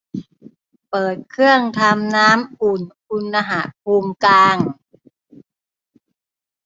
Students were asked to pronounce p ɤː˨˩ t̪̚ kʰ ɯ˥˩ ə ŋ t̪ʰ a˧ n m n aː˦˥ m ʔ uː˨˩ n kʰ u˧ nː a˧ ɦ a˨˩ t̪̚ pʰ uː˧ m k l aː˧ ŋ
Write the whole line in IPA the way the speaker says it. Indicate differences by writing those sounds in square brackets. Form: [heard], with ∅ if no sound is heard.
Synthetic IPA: p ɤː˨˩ t̪̚ kʰ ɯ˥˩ ə ŋ t̪ʰ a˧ [∅] m n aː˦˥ m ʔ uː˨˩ n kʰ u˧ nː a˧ ɦ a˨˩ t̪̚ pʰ uː˧ m k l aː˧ ŋ